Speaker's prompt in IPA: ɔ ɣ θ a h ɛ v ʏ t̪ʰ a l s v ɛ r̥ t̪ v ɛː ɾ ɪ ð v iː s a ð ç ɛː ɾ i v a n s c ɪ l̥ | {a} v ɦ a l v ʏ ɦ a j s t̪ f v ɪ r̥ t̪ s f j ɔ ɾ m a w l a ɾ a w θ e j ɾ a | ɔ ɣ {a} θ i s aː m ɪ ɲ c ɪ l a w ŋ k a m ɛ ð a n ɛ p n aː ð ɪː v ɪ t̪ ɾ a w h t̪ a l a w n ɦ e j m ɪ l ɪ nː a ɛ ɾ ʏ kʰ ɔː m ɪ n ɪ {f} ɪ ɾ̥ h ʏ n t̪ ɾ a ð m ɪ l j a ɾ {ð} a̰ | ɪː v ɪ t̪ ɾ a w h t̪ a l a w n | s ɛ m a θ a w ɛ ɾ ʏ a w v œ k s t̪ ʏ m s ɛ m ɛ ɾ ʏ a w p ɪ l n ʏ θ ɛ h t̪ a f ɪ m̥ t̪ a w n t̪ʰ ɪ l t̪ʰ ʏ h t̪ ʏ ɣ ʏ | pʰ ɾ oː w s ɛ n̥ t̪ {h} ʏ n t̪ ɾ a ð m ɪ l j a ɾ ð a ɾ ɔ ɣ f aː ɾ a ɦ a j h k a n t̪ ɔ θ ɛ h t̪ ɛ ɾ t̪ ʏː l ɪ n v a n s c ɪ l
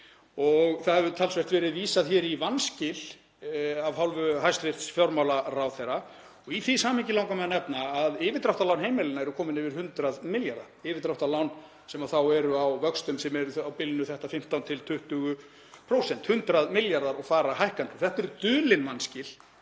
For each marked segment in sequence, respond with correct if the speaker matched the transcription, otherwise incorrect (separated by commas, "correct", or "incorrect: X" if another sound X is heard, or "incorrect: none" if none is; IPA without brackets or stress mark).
correct, incorrect: i, incorrect: v, correct, correct